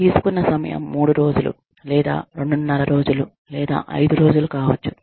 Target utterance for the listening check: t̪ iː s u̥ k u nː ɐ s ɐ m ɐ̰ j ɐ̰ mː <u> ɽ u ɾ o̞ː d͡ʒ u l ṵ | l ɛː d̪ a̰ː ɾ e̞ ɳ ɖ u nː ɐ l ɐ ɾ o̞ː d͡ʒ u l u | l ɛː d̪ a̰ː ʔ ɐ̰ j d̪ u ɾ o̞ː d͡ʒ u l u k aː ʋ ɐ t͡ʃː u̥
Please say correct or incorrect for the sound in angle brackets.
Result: incorrect